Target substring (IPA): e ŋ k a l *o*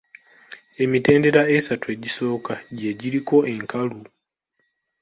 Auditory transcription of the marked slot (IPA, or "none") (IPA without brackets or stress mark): u